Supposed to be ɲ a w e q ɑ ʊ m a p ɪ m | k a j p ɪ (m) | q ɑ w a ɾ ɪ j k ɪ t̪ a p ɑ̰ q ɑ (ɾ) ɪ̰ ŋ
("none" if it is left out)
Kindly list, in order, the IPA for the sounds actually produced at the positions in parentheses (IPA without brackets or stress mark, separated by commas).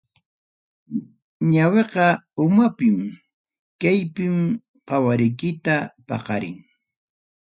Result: m, ɾ